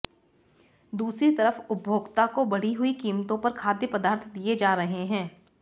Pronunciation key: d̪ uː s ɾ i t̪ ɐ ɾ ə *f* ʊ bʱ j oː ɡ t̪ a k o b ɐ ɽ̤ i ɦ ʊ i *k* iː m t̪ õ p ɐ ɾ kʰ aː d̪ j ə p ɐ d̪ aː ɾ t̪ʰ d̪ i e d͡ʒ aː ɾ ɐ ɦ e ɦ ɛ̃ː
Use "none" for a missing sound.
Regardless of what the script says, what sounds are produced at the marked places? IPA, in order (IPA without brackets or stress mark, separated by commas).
f, k